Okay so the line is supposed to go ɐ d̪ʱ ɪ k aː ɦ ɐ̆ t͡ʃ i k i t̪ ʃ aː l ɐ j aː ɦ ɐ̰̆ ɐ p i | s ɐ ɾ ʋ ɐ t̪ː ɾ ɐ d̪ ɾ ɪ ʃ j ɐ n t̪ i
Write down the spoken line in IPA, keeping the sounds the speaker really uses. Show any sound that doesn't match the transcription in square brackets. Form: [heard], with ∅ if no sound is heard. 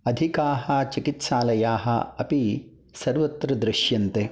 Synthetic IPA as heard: ɐ d̪ʱ [i] k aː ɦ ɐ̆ t͡ʃ i k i t̪ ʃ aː l ɐ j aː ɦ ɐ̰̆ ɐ p i | s ɐ ɾ ʋ ɐ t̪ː ɾ ɐ d̪ ɾ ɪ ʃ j ɐ n t̪ [e]